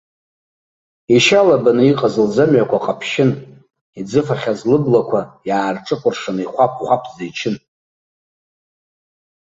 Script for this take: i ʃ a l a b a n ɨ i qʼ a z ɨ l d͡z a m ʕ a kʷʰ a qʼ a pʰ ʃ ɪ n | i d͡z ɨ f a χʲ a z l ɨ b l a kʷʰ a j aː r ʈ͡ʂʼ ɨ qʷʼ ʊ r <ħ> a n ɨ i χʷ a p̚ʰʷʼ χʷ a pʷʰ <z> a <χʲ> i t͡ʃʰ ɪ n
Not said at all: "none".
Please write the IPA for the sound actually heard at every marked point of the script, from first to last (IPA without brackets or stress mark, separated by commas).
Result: ʂ, z, none